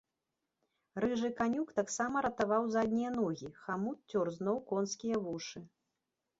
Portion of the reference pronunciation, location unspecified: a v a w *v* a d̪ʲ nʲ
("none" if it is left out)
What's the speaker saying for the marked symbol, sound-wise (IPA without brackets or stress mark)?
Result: z